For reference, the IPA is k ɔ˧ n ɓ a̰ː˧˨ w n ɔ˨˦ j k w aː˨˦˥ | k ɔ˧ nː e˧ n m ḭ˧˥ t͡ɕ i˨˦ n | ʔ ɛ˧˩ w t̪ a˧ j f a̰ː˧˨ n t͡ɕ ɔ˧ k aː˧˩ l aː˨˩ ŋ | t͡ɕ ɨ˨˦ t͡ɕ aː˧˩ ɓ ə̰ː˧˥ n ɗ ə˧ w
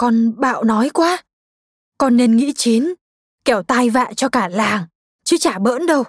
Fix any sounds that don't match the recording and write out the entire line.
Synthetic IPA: k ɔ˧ n ɓ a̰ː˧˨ w n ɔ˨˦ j k w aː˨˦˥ | k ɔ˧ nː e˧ n ŋ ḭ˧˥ t͡ɕ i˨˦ n | k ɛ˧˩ w t̪ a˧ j v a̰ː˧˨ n t͡ɕ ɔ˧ k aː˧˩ l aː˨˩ ŋ | t͡ɕ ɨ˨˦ t͡ɕ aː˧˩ ɓ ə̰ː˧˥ n ɗ ə˧ w